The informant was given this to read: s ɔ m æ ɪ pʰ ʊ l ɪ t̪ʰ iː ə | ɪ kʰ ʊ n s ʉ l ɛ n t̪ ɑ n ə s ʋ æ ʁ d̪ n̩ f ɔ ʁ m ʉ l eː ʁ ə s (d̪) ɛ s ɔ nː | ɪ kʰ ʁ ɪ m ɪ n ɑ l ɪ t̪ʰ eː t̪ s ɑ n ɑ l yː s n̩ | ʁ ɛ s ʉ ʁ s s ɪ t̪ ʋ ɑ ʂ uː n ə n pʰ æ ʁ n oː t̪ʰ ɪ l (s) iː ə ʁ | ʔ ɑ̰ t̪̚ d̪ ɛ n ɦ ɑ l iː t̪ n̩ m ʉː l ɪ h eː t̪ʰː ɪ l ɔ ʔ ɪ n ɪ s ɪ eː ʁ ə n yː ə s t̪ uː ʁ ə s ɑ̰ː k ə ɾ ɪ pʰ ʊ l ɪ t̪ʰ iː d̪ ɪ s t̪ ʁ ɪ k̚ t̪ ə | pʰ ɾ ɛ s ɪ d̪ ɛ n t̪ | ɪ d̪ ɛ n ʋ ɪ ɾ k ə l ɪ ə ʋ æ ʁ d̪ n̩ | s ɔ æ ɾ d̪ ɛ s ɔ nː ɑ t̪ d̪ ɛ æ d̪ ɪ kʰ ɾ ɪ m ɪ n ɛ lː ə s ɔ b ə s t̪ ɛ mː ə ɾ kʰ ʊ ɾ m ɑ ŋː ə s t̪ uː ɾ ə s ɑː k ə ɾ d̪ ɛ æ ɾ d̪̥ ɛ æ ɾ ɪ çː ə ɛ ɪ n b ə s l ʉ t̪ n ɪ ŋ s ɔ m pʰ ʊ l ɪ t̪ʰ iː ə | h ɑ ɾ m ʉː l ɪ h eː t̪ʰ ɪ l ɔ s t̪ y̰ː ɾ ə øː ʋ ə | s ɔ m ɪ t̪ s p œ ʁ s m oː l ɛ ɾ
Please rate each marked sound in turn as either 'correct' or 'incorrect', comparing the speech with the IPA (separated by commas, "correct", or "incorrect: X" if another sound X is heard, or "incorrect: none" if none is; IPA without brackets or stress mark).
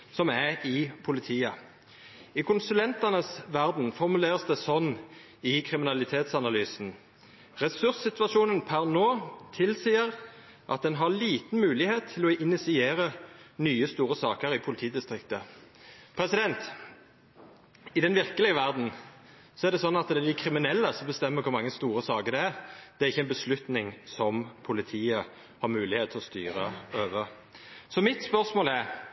correct, correct